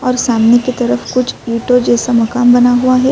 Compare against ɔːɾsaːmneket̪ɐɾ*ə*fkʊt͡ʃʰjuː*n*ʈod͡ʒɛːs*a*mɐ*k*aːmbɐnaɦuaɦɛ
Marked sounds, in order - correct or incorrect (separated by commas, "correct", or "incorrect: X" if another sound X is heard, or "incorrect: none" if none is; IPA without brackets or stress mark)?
correct, incorrect: none, correct, correct